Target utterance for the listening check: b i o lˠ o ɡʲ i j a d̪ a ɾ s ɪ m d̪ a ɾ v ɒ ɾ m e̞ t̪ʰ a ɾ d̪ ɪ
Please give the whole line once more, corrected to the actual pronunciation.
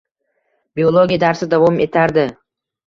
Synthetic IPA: b i o lˠ o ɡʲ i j a d̪ a ɾ s ɪ d̪ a v ɒ m e̞ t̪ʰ a ɾ d̪ ɪ